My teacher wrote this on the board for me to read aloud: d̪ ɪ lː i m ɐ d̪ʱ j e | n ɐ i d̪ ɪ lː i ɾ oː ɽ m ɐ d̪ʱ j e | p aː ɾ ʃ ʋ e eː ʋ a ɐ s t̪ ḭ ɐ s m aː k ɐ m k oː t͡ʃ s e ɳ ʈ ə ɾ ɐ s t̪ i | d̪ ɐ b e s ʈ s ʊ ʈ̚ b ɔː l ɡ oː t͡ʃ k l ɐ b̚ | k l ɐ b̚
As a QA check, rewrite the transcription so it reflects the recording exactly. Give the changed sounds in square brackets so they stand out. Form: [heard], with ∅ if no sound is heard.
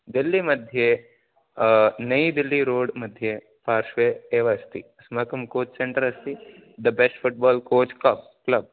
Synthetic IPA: d̪ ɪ lː i m ɐ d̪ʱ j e | n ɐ i d̪ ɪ lː i ɾ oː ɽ m ɐ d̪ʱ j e | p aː ɾ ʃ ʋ e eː ʋ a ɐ s t̪ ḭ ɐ s m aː k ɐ m k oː t͡ʃ s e ɳ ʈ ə ɾ ɐ s t̪ i | d̪ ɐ b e s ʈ [f] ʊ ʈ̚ b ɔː l [k] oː t͡ʃ k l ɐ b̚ | k l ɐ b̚